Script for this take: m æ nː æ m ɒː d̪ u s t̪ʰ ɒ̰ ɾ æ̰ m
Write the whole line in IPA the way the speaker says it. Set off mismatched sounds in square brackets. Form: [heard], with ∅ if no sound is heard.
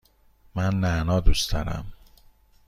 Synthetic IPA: m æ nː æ [n] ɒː d̪ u s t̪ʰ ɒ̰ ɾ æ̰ m